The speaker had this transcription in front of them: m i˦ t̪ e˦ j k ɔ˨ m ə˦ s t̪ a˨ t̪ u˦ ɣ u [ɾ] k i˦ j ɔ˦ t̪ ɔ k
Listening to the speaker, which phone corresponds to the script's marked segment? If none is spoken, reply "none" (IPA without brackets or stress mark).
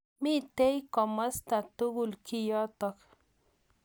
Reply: l